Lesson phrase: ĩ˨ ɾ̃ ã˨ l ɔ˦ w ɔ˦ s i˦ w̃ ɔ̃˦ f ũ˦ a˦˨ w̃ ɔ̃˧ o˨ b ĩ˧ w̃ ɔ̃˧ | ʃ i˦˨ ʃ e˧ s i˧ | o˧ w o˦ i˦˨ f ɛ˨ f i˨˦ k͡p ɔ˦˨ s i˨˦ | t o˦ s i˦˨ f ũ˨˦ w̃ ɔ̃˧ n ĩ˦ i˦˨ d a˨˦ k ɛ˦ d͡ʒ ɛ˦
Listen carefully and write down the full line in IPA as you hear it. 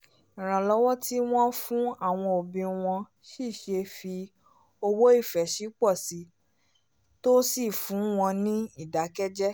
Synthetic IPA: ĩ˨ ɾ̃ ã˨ l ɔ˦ w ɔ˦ t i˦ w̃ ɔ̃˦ f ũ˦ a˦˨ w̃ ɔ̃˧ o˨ b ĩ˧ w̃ ɔ̃˧ | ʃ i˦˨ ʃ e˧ f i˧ | o˧ w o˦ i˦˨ f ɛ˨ ʃ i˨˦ k͡p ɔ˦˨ s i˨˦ | t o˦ s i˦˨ f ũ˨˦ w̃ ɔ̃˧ n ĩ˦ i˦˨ d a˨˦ k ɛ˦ d͡ʒ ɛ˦